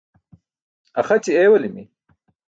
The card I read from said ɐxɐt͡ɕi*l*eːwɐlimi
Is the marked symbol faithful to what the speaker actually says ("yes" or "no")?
no